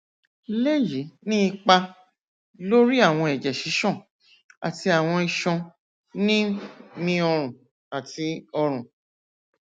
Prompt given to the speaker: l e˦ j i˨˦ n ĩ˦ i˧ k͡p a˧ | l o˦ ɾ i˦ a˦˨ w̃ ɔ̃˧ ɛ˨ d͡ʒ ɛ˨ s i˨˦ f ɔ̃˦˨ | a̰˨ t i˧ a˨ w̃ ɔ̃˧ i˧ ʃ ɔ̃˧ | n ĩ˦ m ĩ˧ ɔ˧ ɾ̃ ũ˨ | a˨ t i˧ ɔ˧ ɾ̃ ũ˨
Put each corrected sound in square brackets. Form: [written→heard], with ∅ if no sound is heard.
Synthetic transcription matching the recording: l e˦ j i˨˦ n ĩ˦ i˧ k͡p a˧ | l o˦ ɾ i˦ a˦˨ w̃ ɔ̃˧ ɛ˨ d͡ʒ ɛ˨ [s→ʃ] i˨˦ [f→ʃ] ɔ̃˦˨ | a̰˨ t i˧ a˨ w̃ ɔ̃˧ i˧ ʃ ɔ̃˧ | n ĩ˦ m ĩ˧ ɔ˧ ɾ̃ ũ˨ | a˨ t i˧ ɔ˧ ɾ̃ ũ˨

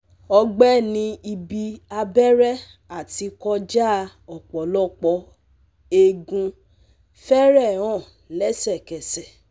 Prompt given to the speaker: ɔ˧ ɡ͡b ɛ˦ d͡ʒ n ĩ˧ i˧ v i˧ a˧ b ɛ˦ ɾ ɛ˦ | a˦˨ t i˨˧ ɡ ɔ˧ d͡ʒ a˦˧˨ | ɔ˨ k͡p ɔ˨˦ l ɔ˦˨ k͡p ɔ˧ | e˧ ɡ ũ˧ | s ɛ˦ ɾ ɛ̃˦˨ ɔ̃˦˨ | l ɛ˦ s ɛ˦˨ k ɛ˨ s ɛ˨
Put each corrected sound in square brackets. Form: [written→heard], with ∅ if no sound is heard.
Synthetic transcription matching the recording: ɔ˧ ɡ͡b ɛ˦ [d͡ʒ→∅] n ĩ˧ i˧ [v→b] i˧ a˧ b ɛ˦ ɾ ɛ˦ | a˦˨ t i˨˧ [ɡ→k] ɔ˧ d͡ʒ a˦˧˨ | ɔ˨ k͡p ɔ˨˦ l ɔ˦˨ k͡p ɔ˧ | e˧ ɡ ũ˧ | [s→f] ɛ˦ ɾ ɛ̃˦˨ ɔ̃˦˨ | l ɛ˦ s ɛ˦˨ k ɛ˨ s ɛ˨

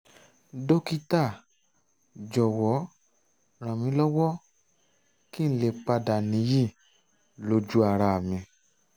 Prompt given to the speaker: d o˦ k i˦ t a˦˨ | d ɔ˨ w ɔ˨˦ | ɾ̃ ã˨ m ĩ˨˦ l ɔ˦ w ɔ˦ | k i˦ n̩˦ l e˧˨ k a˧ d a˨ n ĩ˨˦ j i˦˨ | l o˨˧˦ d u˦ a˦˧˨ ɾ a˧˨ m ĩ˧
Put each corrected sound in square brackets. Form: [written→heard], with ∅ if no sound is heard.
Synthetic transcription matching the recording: d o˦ k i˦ t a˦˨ | [d→d͡ʒ] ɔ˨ w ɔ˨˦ | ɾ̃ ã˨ m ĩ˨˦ l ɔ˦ w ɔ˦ | k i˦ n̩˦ l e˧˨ [k→k͡p] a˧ d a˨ n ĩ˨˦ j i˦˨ | l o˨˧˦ [d→d͡ʒ] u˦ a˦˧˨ ɾ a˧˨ m ĩ˧

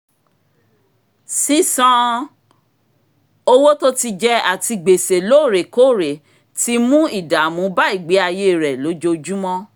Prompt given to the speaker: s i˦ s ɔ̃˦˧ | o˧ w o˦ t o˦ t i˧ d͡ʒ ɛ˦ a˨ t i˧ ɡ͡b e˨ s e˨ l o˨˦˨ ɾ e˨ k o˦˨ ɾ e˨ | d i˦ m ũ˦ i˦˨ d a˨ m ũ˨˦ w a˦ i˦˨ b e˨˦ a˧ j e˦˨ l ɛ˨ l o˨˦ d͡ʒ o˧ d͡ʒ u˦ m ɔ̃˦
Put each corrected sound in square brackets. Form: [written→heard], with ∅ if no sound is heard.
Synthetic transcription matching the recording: s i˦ s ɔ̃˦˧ | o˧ w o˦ t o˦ t i˧ d͡ʒ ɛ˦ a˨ t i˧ ɡ͡b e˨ s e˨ l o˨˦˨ ɾ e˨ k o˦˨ ɾ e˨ | [d→t] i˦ m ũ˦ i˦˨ d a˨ m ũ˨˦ [w→b] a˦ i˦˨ [b→ɡ͡b] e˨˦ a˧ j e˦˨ [l→ɾ] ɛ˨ l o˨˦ d͡ʒ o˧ d͡ʒ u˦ m ɔ̃˦

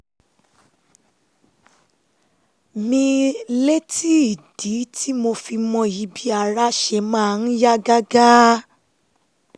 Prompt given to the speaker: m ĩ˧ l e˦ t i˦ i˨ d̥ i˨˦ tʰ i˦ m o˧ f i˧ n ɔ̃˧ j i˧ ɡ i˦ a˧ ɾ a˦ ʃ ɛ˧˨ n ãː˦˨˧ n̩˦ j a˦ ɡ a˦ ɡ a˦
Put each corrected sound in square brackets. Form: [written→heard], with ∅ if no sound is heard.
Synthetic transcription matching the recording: m ĩ˧ l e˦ t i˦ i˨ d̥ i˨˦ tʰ i˦ m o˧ f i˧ [n→m] ɔ̃˧ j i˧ [ɡ→b] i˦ a˧ ɾ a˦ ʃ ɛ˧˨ [n→m] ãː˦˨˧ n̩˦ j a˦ ɡ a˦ ɡ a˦

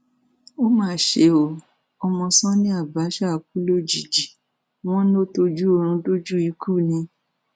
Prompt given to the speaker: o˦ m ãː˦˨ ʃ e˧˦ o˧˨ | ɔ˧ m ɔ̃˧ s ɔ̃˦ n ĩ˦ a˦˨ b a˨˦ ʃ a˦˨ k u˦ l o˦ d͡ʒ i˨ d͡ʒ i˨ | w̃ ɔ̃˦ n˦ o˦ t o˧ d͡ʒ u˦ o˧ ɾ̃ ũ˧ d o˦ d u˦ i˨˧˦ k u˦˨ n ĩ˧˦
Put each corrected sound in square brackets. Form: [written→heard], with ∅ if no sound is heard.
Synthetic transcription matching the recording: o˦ m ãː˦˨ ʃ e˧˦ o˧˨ | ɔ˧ m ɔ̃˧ s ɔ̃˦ n ĩ˦ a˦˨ b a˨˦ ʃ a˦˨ k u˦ l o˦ d͡ʒ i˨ d͡ʒ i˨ | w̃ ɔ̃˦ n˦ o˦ t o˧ d͡ʒ u˦ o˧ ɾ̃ ũ˧ d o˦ [d→d͡ʒ] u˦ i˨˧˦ k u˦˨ n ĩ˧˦

